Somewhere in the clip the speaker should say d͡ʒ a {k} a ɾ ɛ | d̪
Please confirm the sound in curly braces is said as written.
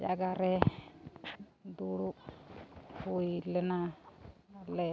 no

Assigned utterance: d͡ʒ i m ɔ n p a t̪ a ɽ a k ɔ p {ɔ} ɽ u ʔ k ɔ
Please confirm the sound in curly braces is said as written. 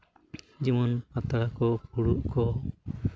no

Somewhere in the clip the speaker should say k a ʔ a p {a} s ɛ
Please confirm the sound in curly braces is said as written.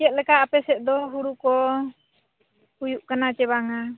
no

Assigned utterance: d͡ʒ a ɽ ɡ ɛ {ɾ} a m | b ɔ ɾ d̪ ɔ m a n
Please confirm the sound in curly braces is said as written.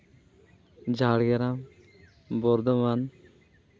yes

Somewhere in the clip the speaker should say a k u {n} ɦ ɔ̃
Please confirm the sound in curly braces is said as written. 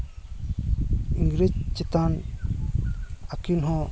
yes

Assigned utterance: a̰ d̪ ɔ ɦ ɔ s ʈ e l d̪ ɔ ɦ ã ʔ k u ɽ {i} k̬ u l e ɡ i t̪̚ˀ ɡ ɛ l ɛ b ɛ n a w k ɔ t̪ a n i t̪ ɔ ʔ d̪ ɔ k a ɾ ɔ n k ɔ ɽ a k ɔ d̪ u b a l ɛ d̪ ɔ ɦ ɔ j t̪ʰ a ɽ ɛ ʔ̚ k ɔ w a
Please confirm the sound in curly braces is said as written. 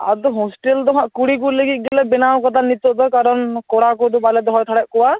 yes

